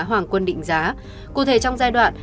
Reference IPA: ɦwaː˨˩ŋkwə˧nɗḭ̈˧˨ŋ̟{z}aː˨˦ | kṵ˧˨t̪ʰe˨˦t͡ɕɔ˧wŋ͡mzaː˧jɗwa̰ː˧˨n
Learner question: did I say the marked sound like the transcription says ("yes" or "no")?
yes